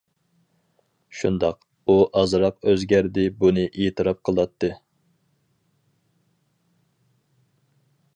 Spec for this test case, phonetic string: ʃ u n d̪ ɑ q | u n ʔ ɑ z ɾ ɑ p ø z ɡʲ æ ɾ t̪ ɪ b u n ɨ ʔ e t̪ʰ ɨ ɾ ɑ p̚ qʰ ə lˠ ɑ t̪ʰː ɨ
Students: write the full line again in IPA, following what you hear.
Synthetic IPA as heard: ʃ u n d̪ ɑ q | u ʔ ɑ z ɾ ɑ q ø z ɡʲ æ ɾ d̪ ɪ b u n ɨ ʔ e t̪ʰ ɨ ɾ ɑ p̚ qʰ ə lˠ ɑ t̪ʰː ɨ

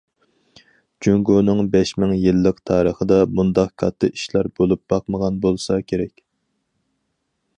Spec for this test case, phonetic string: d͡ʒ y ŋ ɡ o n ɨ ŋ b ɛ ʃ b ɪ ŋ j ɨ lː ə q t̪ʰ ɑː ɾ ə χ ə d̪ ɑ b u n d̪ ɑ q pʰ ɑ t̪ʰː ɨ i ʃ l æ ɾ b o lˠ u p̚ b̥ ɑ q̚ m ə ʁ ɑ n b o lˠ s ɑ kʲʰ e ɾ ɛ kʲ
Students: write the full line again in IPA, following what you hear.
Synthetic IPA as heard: d͡ʒ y ŋ ɡ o n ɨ ŋ b ɛ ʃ m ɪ ŋ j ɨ lː ə q t̪ʰ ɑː ɾ ə χ ə d̪ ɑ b u n d̪ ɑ q kʰ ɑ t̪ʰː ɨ i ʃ l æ ɾ b o lˠ u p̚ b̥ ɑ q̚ m ə ʁ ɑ n b o lˠ s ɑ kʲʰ e ɾ ɛ kʲ

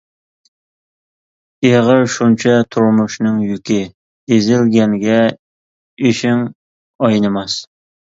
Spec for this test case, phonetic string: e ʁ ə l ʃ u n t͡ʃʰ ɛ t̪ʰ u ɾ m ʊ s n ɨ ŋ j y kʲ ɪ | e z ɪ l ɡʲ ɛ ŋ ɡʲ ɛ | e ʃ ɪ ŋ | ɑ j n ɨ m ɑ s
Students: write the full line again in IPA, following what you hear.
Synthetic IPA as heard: e ʁ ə ɾ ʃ u n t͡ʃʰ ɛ t̪ʰ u ɾ m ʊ ʃ n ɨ ŋ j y kʲ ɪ | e z ɪ l ɡʲ ɛ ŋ ɡʲ ɛ | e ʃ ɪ ŋ | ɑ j n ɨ m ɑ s

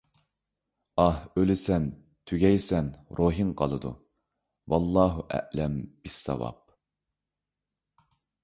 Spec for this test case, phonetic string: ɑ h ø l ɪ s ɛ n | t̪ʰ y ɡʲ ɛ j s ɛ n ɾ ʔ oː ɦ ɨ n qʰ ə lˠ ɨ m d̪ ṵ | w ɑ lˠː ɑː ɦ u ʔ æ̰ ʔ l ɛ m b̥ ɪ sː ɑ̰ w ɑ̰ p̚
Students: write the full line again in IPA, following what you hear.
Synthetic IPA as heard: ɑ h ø l ɪ s ɛ n | t̪ʰ y ɡʲ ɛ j s ɛ n ɾ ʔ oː ɦ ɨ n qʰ ɑ lˠ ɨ d̪ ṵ | w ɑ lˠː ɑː ɦ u ʔ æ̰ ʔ l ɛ m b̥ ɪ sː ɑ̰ w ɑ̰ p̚

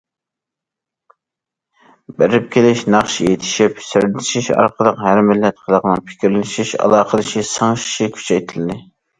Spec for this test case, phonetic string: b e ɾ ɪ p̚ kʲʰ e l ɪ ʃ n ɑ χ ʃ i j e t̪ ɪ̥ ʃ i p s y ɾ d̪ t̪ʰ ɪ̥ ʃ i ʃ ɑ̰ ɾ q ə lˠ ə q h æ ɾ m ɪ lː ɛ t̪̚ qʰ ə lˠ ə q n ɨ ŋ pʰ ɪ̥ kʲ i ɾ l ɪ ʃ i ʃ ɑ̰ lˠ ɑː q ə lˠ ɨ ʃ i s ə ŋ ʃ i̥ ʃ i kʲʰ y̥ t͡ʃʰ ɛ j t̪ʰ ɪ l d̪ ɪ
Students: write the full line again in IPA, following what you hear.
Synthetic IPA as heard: b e ɾ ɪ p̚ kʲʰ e l ɪ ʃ n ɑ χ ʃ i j e t̪ʰ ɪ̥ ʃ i p s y ɾ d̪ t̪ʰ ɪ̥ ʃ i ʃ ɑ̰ ɾ q ə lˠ ə q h æ ɾ m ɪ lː ɛ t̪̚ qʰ ə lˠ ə q n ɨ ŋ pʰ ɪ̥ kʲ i ɾ l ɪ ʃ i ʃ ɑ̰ lˠ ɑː q ə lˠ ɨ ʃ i s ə ŋ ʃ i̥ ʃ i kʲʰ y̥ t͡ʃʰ ɛ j t̪ʰ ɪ l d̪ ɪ

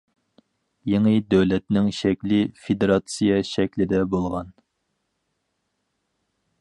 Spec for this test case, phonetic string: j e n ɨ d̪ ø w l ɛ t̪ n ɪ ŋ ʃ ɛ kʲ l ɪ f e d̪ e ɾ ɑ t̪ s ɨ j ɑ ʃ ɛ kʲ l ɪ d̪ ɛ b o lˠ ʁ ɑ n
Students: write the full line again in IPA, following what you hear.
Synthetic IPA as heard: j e ŋ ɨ d̪ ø w l ɛ t̪ n ɪ ŋ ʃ ɛ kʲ l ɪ f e d̪ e ɾ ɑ t̪ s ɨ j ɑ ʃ ɛ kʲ l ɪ d̪ ɛ b o lˠ ʁ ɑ n

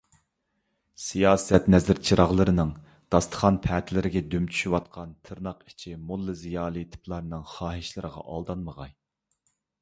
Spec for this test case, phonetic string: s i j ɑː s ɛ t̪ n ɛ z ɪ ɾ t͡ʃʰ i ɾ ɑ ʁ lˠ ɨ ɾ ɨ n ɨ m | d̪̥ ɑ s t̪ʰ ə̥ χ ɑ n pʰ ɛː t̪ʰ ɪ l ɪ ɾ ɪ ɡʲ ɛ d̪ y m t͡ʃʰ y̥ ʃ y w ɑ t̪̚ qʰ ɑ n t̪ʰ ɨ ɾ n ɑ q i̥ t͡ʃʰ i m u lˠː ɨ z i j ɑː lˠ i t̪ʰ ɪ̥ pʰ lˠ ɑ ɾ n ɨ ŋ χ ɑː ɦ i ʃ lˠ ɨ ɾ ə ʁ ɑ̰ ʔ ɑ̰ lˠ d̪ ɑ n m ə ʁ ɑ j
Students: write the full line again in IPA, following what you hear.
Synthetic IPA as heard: s i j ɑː s ɛ t̪ n ɛ z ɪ ɾ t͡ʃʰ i ɾ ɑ ʁ lˠ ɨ ɾ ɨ n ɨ ŋ | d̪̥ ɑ s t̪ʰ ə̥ χ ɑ n pʰ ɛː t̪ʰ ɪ l ɪ ɾ ɪ ɡʲ ɛ d̪ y m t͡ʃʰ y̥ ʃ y w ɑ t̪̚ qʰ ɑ n t̪ʰ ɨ ɾ n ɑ q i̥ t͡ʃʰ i m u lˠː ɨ z i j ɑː lˠ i t̪ʰ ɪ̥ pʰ lˠ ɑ ɾ n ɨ ŋ χ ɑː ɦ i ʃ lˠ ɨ ɾ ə ʁ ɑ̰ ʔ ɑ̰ lˠ d̪ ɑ n m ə ʁ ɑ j

